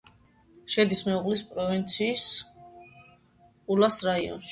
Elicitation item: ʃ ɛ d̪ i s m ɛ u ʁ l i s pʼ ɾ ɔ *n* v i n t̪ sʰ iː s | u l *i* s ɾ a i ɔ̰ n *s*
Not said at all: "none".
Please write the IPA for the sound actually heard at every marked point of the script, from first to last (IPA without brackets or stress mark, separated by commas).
none, a, ʃ